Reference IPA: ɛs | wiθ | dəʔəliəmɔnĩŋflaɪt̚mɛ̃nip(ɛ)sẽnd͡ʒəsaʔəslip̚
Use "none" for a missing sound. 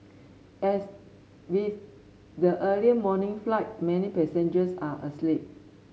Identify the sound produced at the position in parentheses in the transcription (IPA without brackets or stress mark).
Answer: ɛ